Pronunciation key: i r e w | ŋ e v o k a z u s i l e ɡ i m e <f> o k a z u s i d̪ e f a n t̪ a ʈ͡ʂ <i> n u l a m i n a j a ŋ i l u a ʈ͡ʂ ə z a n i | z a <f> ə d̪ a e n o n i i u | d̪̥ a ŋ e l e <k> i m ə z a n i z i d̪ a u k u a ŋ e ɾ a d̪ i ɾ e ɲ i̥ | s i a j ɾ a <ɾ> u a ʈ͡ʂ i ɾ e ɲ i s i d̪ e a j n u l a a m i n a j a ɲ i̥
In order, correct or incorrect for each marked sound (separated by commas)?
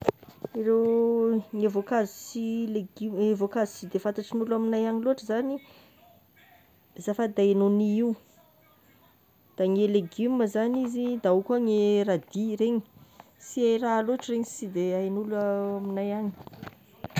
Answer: incorrect, correct, correct, incorrect, incorrect